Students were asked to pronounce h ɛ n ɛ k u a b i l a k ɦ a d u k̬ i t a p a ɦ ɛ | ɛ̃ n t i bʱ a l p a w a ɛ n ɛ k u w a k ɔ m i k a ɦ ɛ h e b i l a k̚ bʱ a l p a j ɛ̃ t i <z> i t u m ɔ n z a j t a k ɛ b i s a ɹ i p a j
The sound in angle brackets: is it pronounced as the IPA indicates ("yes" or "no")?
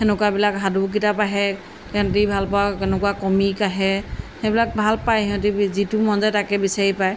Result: yes